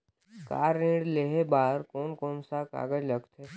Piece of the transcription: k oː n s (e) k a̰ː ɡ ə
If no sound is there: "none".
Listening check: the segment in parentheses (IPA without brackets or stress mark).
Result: a